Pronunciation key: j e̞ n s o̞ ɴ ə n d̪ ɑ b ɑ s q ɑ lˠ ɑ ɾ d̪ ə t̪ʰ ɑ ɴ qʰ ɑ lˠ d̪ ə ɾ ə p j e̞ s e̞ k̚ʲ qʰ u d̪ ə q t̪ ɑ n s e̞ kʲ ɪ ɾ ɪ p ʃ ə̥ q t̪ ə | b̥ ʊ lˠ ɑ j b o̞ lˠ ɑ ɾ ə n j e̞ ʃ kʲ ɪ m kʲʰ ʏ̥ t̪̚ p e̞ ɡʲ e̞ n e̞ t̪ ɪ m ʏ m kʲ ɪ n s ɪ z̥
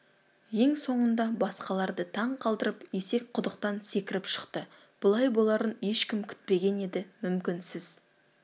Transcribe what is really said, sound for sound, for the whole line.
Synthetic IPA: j e̞ ŋ s o̞ ɴ ə n d̪ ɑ b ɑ s q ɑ lˠ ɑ ɾ d̪ ə t̪ʰ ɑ ɴ qʰ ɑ lˠ d̪ ə ɾ ə p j e̞ s e̞ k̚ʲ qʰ ʊ d̪ ə q t̪ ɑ n s e̞ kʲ ɪ ɾ ɪ p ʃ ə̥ q t̪ ə | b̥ ʊ lˠ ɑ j b o̞ lˠ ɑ ɾ ə n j e̞ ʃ kʲ ɪ m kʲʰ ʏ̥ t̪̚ p e̞ ɡʲ e̞ n e̞ d̪ ɪ m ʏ m kʲ ɪ n s ɪ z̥